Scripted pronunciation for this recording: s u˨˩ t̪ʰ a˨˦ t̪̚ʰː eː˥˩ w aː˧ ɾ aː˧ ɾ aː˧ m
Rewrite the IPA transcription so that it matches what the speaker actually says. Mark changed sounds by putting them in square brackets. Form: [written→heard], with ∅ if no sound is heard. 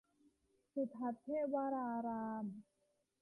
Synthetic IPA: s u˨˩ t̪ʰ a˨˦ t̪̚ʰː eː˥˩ w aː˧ ɾ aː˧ ɾ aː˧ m

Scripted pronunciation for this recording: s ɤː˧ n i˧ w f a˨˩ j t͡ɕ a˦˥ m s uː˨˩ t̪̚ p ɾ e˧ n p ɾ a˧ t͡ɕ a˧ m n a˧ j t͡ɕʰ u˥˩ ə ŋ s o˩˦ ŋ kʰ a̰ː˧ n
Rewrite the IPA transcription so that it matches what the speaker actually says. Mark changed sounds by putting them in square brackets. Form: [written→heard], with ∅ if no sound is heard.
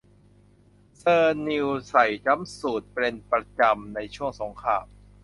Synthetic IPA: s ɤː˧ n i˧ w [f→s] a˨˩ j t͡ɕ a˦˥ m s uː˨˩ t̪̚ p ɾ e˧ n p ɾ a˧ t͡ɕ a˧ m n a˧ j t͡ɕʰ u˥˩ ə ŋ s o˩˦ ŋ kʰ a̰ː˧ [n→m]

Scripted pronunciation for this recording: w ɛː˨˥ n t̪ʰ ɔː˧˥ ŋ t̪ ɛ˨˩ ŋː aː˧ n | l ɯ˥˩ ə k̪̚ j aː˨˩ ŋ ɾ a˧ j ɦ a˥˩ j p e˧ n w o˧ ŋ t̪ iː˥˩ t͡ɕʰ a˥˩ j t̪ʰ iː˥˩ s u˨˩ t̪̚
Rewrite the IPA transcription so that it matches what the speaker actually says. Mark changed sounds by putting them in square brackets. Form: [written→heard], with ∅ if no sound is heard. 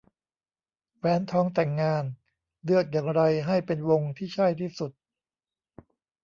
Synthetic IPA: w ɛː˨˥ n t̪ʰ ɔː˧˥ ŋ t̪ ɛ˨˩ ŋː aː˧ n | l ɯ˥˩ ə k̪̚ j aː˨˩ ŋ ɾ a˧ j ɦ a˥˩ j p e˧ n w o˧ ŋ [t̪→t̪ʰ] iː˥˩ t͡ɕʰ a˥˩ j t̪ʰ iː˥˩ s u˨˩ t̪̚

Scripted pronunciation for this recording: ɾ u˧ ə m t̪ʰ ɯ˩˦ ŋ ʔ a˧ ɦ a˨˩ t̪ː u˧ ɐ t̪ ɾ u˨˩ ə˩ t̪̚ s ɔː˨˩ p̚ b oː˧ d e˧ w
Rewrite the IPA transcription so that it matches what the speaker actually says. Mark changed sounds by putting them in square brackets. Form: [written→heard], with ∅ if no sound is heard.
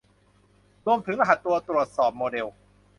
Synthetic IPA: ɾ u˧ ə m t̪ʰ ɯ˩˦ ŋ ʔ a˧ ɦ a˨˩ t̪ː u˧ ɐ t̪ ɾ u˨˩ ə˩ t̪̚ s ɔː˨˩ p̚ [b→m] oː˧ d e˧ w

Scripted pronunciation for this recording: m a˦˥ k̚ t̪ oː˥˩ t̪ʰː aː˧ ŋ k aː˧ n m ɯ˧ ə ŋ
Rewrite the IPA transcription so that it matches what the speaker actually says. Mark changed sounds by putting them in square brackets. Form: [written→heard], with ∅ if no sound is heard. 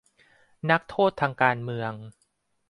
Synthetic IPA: [m→n] a˦˥ k̚ [t̪→t̪ʰ] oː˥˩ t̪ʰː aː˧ ŋ k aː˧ n m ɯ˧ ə ŋ

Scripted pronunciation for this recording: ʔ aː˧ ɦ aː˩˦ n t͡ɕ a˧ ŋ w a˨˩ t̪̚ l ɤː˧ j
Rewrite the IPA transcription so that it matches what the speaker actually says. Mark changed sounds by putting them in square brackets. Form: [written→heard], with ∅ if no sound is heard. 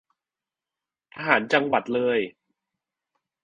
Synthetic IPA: ʔ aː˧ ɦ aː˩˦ n t͡ɕ a˧ ŋ w a˨˩ t̪̚ l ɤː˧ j

